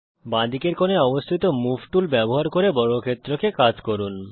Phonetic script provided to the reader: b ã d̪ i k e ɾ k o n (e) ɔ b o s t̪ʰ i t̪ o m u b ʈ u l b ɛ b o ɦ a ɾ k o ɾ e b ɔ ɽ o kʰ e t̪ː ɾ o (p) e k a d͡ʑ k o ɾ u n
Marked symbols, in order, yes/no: yes, no

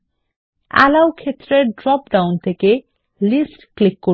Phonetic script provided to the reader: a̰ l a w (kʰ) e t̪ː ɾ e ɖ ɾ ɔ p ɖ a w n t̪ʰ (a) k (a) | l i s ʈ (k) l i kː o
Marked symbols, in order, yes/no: yes, no, no, yes

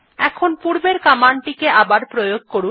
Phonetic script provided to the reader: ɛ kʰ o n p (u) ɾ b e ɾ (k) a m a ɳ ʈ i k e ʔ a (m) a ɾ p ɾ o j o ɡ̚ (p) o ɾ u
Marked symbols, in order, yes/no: yes, yes, no, no

